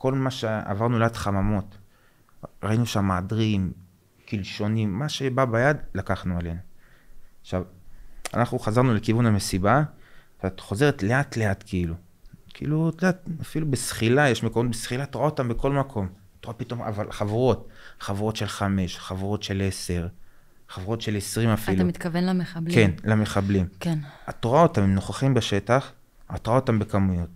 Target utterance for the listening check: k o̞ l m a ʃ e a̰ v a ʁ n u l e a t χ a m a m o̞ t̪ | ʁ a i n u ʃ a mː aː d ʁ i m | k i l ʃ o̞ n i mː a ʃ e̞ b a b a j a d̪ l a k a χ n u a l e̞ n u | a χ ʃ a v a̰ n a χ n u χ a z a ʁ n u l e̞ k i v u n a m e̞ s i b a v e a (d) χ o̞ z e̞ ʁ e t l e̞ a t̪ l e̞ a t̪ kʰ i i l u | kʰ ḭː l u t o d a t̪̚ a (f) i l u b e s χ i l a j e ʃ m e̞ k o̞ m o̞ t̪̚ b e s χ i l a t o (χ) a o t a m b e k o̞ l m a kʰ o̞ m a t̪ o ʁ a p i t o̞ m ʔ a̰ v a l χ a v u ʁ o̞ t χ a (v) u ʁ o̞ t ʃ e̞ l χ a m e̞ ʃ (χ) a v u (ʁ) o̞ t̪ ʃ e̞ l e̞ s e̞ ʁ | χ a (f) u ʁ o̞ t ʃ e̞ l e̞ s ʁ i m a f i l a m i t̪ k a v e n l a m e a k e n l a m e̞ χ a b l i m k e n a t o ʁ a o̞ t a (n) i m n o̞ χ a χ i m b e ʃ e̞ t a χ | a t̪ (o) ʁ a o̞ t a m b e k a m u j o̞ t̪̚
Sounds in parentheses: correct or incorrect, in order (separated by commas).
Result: incorrect, correct, incorrect, correct, correct, correct, incorrect, incorrect, correct